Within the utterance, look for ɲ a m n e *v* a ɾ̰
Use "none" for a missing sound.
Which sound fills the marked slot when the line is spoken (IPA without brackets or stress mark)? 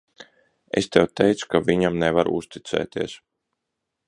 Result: v